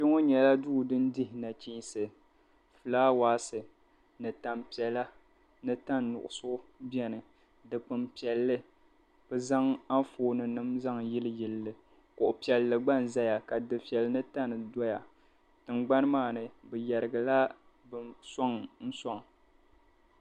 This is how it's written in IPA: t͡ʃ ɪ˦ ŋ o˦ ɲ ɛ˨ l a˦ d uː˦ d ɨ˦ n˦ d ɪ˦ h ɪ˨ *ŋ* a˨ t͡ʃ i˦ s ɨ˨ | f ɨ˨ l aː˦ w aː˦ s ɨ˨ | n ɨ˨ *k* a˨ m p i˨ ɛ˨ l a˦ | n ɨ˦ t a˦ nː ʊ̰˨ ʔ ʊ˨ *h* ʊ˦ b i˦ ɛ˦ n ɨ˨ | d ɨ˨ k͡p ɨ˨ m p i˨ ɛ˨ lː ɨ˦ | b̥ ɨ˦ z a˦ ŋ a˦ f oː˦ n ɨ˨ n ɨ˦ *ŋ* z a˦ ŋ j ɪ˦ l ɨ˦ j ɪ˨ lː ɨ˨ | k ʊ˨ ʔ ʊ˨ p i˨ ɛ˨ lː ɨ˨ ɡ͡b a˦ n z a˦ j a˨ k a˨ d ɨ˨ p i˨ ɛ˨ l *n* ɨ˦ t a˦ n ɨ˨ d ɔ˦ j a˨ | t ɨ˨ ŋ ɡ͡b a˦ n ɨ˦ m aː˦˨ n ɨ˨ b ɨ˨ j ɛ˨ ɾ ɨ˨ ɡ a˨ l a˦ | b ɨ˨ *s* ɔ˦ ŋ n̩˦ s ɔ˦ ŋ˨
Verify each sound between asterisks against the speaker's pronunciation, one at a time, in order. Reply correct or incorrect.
incorrect, incorrect, incorrect, incorrect, correct, correct

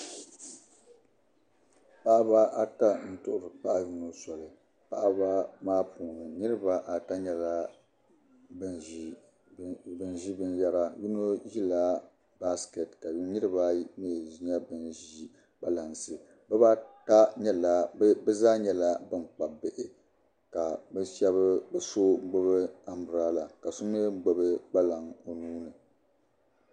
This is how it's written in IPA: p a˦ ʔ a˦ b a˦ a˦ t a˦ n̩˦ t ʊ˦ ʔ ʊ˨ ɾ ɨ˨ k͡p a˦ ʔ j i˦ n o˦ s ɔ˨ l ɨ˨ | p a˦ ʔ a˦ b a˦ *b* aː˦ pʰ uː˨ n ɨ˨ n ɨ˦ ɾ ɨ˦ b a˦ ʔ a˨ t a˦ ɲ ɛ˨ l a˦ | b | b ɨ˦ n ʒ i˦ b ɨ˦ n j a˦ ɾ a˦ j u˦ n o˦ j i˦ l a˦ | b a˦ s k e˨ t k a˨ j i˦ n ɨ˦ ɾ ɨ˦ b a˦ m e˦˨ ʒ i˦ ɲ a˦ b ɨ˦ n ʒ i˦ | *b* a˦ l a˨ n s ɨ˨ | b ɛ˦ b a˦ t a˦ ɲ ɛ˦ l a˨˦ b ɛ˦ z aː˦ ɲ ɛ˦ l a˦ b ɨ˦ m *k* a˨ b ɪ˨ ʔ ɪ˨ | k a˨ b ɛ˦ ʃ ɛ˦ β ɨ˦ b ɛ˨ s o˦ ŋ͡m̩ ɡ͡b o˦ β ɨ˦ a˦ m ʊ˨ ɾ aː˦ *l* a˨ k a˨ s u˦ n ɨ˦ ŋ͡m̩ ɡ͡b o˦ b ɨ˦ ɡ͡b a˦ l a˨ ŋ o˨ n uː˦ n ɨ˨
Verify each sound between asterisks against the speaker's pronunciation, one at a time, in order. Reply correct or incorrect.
incorrect, correct, incorrect, correct

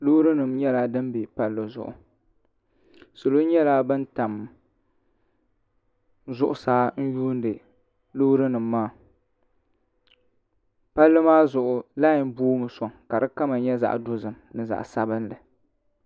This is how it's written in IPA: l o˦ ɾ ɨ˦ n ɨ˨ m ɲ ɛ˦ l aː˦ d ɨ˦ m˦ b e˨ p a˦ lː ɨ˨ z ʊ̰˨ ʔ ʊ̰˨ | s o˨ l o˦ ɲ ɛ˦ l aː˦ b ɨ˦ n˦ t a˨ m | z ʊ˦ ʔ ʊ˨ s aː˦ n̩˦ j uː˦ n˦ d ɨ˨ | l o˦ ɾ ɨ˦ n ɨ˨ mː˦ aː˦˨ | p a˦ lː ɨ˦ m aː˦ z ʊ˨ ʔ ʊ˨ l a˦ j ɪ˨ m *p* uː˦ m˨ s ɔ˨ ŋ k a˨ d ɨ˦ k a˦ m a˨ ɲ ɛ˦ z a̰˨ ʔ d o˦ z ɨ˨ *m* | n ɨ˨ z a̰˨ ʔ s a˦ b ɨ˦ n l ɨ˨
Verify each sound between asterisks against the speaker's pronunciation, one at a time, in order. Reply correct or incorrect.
incorrect, correct

